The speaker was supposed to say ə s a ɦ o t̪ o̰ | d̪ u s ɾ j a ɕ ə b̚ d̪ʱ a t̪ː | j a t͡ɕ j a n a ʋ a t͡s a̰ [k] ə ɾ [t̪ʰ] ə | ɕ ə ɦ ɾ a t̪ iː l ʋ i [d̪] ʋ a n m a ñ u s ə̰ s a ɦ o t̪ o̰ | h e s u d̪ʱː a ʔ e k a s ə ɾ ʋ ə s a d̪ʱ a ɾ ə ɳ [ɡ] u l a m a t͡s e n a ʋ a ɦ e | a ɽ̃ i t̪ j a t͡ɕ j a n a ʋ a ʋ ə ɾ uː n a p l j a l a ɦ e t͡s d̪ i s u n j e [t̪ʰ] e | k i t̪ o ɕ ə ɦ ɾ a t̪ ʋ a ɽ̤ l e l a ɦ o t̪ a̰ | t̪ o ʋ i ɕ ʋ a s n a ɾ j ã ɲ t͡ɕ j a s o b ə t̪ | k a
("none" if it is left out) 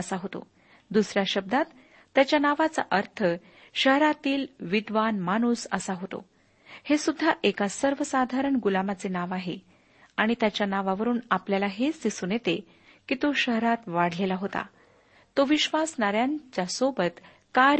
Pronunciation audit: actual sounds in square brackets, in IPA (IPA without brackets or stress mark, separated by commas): ʔ, t̪ʰ, d̪, ɡ, t̪